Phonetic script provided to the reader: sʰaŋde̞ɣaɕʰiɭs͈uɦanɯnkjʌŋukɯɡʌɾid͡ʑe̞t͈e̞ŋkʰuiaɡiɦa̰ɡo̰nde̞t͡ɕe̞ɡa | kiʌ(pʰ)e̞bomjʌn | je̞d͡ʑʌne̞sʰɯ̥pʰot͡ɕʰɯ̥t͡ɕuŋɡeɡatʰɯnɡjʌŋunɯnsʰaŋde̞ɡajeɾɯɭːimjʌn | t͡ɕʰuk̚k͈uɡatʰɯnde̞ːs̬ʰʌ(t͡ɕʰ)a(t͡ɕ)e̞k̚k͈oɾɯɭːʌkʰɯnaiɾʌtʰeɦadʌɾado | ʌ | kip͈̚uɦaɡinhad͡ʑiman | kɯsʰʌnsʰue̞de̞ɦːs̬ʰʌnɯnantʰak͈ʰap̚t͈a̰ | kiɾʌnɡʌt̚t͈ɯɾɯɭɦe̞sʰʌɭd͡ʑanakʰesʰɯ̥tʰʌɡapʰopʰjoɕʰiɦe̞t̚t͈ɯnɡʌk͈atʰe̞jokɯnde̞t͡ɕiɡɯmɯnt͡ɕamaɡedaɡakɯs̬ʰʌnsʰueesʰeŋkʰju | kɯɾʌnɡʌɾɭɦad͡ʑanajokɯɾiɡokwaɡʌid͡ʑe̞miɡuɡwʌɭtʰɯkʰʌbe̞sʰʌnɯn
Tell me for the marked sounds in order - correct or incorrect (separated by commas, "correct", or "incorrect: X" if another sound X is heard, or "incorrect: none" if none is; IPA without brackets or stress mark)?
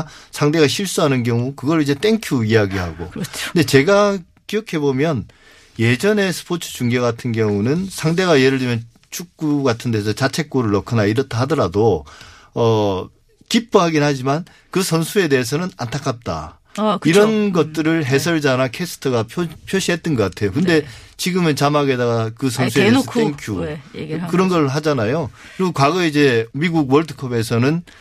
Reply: incorrect: kʰ, incorrect: t͡ɕ, incorrect: t͡ɕʰ